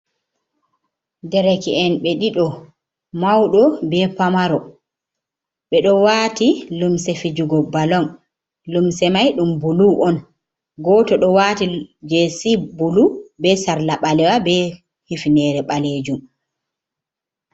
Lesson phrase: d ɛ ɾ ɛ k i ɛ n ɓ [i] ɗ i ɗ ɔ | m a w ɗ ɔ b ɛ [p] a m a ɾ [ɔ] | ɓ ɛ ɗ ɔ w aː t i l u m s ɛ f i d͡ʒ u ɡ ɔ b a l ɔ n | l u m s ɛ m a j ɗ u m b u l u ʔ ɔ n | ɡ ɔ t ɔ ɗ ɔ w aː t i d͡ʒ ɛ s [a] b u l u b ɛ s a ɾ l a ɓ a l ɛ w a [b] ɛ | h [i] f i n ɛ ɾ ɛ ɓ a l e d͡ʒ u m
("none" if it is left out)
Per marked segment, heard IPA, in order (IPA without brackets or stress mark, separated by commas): ɛ, p, ɔ, i, b, i